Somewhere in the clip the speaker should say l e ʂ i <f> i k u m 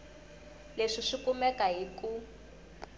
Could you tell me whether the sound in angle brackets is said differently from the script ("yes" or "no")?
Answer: yes